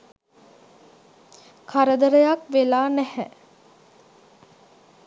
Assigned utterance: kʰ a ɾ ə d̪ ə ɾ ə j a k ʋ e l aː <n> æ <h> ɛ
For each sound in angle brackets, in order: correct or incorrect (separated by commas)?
correct, correct